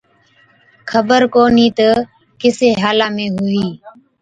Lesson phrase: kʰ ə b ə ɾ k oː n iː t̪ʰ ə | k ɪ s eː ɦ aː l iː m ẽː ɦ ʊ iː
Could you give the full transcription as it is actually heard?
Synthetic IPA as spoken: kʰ ə b ə ɾ k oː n iː t̪ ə | k ɪ s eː ɦ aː l aː m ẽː ɦ ʊ iː